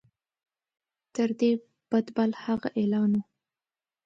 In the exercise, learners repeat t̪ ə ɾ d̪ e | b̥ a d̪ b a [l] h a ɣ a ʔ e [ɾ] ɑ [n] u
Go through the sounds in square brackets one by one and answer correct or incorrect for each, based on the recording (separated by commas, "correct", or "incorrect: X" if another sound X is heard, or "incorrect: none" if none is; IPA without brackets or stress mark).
correct, incorrect: l, correct